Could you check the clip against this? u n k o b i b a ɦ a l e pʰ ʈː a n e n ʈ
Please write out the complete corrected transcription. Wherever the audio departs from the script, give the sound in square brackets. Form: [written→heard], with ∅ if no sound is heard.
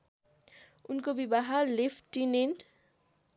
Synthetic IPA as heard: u n k o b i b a ɦ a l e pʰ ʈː [a→i] n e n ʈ